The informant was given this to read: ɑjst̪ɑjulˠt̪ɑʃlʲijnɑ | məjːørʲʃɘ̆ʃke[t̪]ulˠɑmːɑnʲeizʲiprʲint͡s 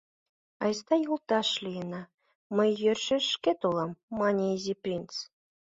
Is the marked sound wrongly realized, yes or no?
no